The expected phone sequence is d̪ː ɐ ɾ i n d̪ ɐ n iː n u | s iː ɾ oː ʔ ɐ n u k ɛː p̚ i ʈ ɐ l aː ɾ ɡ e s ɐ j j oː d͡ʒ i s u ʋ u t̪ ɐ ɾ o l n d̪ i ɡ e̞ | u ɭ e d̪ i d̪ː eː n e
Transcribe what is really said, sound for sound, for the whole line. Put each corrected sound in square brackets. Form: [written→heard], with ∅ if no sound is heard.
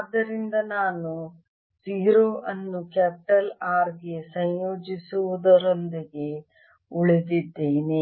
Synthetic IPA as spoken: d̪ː ɐ ɾ i n d̪ ɐ n [iː→aː] n u | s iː ɾ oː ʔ ɐ [n→nː] u k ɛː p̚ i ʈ ɐ l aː ɾ ɡ e s ɐ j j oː d͡ʒ i s u ʋ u [t̪→d̪] ɐ ɾ o [l→∅] n d̪ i ɡ e̞ | u ɭ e d̪ i d̪ː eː n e